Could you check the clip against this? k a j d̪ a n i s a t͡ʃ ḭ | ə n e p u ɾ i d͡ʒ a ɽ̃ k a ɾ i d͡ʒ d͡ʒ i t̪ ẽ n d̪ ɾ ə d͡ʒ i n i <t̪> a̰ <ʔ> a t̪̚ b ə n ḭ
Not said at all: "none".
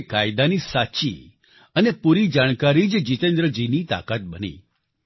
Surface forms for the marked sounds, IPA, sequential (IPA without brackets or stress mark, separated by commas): t̪, k